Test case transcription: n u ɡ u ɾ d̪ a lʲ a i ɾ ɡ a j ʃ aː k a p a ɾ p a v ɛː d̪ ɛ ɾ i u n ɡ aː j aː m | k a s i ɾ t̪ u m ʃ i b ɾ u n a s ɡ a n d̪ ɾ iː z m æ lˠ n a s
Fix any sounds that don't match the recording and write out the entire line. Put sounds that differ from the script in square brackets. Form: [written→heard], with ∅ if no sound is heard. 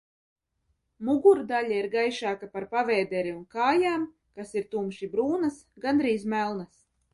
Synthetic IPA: [n→m] u ɡ u ɾ d̪ a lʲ a i ɾ ɡ a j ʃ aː k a p a ɾ p a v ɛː d̪ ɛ ɾ i u n [ɡ→k] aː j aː m | k a s i ɾ t̪ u m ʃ i b ɾ [u→uː] n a s ɡ a n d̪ ɾ iː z m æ lˠ n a s

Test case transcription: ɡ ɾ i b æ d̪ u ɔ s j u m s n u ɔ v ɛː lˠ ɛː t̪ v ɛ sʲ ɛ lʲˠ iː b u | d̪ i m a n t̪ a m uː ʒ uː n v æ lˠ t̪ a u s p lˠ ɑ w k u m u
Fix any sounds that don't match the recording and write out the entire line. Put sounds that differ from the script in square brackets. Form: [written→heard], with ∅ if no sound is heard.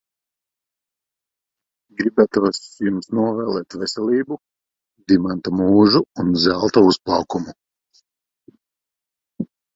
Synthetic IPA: ɡ ɾ i b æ [d̪→t̪] u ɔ s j u m s n u ɔ v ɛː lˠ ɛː t̪ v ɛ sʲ ɛ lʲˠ iː b u | d̪ i m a n t̪ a m uː ʒ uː n [v→z] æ lˠ t̪ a u s p lˠ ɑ w k u m u

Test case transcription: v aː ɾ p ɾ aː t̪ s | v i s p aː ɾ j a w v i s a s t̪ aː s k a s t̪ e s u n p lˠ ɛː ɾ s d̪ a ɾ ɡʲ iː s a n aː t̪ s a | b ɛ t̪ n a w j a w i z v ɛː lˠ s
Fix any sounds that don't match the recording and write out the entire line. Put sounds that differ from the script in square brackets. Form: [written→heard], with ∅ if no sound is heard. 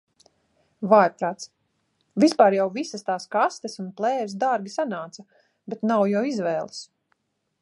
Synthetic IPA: v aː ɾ p ɾ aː t̪ s | v i s p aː ɾ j a w v i s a s t̪ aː s k a s t̪ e s u n p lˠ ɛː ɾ s d̪ a ɾ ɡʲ [iː→i] s a n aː t̪ s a | b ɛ t̪ n a w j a w i z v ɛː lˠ s

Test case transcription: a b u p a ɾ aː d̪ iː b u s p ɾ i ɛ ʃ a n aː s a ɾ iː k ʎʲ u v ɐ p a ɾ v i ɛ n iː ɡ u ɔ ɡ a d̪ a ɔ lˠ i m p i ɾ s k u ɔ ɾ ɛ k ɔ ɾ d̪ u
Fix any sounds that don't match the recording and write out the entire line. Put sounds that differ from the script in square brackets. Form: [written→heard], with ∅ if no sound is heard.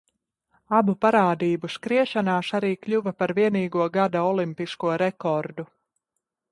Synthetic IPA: a b u p a ɾ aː d̪ iː b u s [p→k] ɾ i ɛ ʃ a n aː s a ɾ iː k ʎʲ u v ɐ p a ɾ v i ɛ n iː ɡ u ɔ ɡ a d̪ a ɔ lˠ i m p i [ɾ→∅] s k u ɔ ɾ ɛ k ɔ ɾ d̪ u

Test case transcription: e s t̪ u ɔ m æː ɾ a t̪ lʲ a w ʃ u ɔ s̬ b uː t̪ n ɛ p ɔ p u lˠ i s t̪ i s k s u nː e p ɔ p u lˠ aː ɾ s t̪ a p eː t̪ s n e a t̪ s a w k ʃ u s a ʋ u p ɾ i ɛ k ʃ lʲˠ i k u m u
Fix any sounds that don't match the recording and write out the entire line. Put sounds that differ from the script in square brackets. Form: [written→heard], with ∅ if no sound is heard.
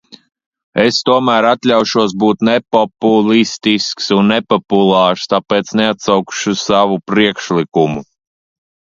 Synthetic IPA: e s t̪ u ɔ m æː ɾ a t̪ lʲ a w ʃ u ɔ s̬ b uː t̪ n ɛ p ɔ p u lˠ i s t̪ i s k s u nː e p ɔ p u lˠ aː ɾ s t̪ a p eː t̪ s n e a t̪ s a w k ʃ u s a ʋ u p ɾ i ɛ k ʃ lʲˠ i k u m u

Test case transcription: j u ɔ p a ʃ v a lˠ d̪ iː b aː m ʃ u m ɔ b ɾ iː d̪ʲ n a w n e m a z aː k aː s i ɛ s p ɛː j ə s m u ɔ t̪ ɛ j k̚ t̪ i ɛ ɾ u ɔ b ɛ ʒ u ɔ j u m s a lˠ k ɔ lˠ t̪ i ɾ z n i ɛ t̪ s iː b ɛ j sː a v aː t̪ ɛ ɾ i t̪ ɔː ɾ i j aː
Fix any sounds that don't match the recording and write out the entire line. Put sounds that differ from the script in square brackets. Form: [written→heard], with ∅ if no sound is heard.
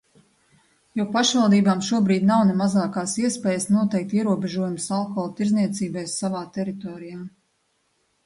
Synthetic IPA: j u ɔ p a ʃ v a lˠ d̪ iː b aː m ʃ u [m→∅] ɔ b ɾ iː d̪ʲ n a w n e m a z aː k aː s i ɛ s p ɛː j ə s [m→n] u ɔ t̪ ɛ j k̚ t̪ i ɛ ɾ u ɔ b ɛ ʒ u ɔ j u m s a lˠ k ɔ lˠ t̪ i ɾ z n i ɛ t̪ s iː b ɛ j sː a v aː t̪ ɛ ɾ i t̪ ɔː ɾ i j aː

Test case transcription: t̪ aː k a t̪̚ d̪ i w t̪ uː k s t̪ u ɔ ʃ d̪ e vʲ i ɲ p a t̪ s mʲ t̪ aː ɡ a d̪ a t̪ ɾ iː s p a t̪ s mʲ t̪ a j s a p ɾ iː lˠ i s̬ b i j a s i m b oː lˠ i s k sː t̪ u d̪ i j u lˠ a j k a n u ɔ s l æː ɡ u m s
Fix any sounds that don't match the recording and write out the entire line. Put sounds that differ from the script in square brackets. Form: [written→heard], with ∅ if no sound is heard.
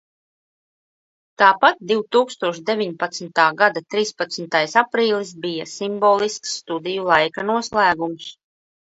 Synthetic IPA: t̪ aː [k→p] a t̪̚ d̪ i w t̪ uː k s t̪ u ɔ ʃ d̪ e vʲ i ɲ p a t̪ s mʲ t̪ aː ɡ a d̪ a t̪ ɾ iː s p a t̪ s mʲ t̪ a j s a p ɾ iː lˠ i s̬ b i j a s i m b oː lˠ i s k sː t̪ u d̪ i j u lˠ a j k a n u ɔ s l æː ɡ u m s

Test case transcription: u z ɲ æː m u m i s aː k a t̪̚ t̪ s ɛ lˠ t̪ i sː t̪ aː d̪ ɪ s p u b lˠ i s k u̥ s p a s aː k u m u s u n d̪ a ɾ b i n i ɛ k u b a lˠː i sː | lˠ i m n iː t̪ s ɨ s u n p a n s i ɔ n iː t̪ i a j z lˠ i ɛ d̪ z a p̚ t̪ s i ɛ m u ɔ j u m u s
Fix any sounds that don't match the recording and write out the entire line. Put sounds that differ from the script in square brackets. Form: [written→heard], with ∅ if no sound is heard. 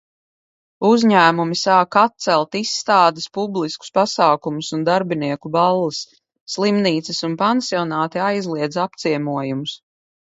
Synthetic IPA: u z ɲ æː m u m i s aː k a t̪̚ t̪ s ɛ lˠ t̪ i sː t̪ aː d̪ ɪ s p u b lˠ i s k u̥ s p a s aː k u m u s u n d̪ a ɾ b i n i ɛ k u b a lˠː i sː | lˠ i m n iː t̪ s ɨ s u n p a n s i ɔ n [iː→aː] t̪ i a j z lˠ i ɛ d̪ z a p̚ t̪ s i ɛ m u ɔ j u m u s

